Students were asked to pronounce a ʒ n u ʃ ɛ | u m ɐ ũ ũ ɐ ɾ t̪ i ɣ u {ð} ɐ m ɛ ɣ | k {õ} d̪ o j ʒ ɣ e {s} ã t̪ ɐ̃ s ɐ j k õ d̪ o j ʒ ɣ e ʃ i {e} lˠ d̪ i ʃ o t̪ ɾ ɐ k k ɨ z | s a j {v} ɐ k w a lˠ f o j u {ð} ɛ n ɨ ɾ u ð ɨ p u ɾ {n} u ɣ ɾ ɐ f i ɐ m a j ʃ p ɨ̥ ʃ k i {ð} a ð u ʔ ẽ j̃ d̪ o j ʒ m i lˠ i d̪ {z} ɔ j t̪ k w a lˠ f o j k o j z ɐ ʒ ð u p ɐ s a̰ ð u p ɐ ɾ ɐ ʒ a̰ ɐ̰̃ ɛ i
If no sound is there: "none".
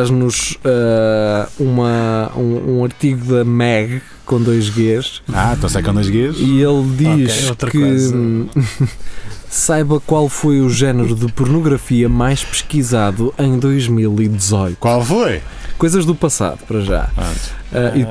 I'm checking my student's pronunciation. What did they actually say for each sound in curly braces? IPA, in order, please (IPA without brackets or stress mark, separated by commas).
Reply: ð, õ, ʃ, e, β, ʒ, n, z, z